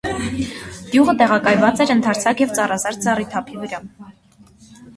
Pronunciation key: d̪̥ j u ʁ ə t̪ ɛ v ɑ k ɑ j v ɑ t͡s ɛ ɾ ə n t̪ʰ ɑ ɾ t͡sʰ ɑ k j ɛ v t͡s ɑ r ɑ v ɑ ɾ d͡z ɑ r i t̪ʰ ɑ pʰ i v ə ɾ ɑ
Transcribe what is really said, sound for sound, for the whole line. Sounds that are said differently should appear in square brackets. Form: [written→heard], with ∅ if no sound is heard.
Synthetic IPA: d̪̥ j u ʁ ə t̪ ɛ [v→ʁ] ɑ k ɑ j v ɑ t͡s ɛ ɾ ə n t̪ʰ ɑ ɾ t͡sʰ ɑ k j ɛ v t͡s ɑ r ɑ [v→z] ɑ ɾ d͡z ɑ r i t̪ʰ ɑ pʰ i v ə ɾ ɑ